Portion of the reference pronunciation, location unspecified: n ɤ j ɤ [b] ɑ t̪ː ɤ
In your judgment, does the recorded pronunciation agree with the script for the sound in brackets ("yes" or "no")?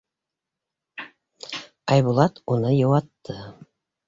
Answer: no